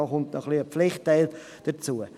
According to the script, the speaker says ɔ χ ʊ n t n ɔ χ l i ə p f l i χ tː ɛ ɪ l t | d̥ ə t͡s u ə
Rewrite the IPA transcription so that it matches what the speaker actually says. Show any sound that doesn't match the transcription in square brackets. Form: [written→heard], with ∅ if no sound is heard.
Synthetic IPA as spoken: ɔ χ ʊ n t n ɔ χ l i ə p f l [i→ɪ] χ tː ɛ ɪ l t | d̥ ə t͡s u ə

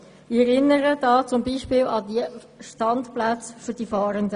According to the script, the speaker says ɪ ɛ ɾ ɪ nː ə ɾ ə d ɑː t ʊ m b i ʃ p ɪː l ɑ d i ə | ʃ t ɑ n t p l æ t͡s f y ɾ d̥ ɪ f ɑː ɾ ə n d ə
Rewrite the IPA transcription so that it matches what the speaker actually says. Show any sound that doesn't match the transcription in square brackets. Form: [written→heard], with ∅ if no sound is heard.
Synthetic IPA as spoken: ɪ ɛ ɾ ɪ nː ə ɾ ə d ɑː [t→t͡s] ʊ m b [i→iː] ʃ p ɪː l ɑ d i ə | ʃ t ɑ n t p l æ t͡s f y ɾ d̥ [ɪ→i] f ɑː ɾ ə n d ə

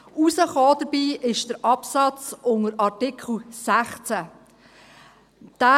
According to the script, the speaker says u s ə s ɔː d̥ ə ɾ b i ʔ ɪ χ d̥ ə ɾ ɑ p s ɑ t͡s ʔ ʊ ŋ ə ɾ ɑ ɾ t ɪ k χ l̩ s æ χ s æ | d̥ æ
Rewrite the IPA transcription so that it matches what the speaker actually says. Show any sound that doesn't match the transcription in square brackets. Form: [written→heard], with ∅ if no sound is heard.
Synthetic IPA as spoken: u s ə [s→χ] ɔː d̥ ə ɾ b [i→iː] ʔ ɪ [χ→ʃ] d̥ ə ɾ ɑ p s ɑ t͡s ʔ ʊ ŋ ə ɾ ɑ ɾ t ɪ k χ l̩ s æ χ [s→t͡s] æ | d̥ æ

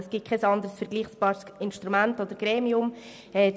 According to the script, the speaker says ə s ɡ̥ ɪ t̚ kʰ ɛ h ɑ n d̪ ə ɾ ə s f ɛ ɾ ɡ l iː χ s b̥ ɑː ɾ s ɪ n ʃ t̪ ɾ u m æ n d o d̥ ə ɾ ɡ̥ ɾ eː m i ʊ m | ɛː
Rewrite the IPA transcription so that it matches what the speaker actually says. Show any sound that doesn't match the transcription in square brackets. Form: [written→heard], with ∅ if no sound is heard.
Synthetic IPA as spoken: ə s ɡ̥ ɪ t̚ kʰ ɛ [h→s] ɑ n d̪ ə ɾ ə s f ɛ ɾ ɡ l iː χ s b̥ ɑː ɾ s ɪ n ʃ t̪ ɾ u m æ n [d→t] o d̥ ə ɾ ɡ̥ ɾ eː m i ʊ m | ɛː

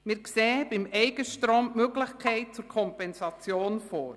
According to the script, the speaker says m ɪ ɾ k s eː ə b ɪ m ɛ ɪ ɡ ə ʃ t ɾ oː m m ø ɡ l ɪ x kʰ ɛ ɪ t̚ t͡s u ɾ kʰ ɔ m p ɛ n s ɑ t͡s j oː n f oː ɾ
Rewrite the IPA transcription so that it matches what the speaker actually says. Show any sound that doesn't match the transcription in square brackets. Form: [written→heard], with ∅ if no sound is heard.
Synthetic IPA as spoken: m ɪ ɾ k s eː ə b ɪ m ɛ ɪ ɡ ə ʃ t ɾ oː m m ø ɡ l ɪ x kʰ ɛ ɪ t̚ t͡s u ɾ kʰ ɔ m p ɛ n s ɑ t͡s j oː n f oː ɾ

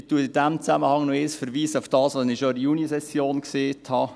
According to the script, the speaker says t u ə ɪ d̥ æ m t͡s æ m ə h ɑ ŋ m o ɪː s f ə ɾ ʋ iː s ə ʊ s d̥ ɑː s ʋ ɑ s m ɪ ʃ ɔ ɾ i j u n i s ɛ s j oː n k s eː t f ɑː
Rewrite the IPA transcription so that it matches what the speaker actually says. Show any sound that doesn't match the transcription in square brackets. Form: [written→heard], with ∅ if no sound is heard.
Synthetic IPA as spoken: t u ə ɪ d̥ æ m t͡s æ m ə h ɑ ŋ [m→n] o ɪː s f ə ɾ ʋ iː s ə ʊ [s→f] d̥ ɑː s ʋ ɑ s [m→n] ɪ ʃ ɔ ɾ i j u n i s ɛ s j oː n k s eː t [f→h] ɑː

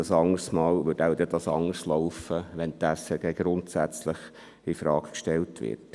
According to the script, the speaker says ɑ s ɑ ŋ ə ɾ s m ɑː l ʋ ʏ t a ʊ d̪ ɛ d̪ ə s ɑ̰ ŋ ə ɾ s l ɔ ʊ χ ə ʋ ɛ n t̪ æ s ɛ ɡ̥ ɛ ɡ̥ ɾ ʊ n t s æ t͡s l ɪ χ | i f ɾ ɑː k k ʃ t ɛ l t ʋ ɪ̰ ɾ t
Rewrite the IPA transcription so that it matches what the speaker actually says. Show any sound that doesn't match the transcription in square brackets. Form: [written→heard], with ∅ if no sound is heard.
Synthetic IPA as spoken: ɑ s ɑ ŋ ə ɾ s m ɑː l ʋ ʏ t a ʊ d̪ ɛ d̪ [ə→ɑ] s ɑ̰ ŋ ə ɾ s l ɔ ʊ [χ→f] ə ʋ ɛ n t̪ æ s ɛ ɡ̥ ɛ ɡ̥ ɾ ʊ n t s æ t͡s l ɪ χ | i f ɾ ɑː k k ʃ t ɛ l t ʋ ɪ̰ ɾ t

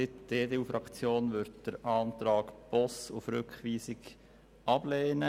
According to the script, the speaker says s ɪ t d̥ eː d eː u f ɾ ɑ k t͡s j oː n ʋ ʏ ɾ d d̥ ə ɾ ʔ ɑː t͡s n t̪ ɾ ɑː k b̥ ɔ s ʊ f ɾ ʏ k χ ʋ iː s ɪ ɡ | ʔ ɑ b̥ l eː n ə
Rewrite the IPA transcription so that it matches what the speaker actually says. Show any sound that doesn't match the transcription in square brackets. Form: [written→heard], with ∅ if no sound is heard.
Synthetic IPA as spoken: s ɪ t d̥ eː d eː u f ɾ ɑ k t͡s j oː n ʋ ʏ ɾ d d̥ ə ɾ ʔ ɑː [t͡s→∅] n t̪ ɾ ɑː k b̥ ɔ s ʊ f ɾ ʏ k χ ʋ iː s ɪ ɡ | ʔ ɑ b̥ l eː n ə

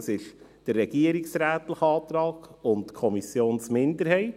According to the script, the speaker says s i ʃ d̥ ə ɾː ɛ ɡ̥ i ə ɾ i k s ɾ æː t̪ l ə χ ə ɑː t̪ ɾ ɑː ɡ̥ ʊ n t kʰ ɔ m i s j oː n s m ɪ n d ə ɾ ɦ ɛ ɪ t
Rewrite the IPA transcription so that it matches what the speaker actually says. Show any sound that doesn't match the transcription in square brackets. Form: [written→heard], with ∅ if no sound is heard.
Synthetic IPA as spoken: s [i→ɪ] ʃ d̥ ə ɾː ɛ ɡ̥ i ə ɾ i k s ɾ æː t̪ l ə χ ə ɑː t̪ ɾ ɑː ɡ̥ ʊ n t kʰ ɔ m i s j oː n s m ɪ n d ə ɾ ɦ ɛ ɪ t

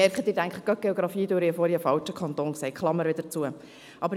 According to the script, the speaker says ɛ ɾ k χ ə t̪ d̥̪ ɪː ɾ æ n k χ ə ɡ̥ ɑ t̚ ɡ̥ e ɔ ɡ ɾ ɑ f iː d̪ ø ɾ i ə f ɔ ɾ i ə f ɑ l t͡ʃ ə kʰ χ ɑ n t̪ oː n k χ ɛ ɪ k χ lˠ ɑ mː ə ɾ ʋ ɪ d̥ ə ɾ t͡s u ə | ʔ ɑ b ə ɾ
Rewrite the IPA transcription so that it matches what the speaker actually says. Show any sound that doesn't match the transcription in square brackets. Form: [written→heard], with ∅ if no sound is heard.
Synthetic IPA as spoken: ɛ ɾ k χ ə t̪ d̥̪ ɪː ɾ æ [n→ŋ] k χ ə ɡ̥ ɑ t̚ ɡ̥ e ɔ ɡ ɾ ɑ f iː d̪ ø ɾ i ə f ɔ ɾ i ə f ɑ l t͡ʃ ə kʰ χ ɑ n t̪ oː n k [χ→s] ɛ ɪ k χ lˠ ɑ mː ə ɾ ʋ ɪ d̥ ə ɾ t͡s u ə | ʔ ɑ b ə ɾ

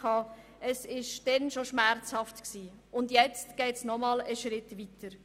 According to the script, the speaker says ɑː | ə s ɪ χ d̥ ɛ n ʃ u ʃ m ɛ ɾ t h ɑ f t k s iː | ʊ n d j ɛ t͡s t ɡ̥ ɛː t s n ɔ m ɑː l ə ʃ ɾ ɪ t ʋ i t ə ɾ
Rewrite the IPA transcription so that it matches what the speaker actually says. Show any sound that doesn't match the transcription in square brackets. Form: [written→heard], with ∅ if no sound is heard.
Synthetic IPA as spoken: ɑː | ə s ɪ [χ→ʃ] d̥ ɛ n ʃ [u→o] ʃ m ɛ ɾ [t→t͡s] h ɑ f t k s iː | ʊ n d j ɛ t͡s t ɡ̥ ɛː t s n ɔ m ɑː l ə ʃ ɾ ɪ t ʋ i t ə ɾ

